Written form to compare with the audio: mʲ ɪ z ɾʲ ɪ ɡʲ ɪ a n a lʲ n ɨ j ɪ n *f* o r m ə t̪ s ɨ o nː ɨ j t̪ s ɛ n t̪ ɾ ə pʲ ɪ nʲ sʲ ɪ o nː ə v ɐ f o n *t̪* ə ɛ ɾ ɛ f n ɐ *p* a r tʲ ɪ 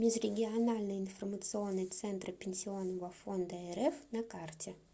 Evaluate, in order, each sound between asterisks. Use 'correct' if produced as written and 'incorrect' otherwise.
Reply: correct, incorrect: d̪, incorrect: k

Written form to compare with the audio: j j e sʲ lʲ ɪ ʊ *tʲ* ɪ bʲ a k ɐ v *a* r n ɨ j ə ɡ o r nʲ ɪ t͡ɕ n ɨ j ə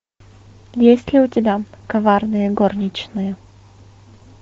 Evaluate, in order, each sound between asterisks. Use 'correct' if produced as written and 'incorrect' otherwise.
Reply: correct, correct

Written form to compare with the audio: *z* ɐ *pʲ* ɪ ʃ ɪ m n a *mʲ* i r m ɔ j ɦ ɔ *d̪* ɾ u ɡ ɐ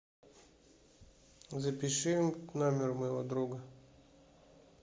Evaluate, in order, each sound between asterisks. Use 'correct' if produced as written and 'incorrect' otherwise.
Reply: correct, correct, correct, correct

